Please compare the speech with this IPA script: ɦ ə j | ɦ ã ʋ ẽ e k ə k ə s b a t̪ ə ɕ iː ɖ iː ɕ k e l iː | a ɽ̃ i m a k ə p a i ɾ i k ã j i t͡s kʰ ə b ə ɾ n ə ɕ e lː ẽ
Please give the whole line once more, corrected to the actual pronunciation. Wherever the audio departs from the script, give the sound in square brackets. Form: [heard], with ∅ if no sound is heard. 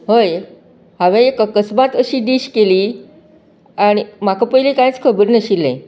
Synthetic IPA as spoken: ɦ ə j | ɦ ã ʋ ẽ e k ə k ə s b a t̪ ə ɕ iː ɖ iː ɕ k e l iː | a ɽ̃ i m a k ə p [ə] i [l] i k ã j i t͡s kʰ ə b ə ɾ n ə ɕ [i] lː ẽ